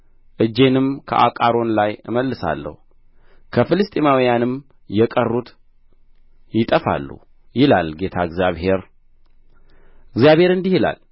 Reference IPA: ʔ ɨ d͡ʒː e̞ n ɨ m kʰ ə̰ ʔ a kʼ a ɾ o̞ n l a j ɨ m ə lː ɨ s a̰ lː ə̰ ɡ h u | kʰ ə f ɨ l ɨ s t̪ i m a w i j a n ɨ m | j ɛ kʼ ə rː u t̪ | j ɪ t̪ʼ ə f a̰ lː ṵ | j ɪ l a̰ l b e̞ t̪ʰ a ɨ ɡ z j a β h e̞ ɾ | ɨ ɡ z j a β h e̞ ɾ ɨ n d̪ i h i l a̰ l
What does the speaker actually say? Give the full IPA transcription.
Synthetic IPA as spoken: ʔ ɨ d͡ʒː e̞ n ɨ m kʰ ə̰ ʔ a kʼ a ɾ o̞ n l a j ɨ m ə lː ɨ s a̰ lː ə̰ h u | kʰ ə f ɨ l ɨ s t̪ʼ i m a w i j a n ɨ m | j ɛ kʼ ə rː u t̪ | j ɪ t̪ʼ ə f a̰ lː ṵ | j ɪ l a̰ l ɡ e̞ t̪ʰ a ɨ ɡ z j a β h e̞ ɾ | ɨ ɡ z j a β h e̞ ɾ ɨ n d̪ i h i l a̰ l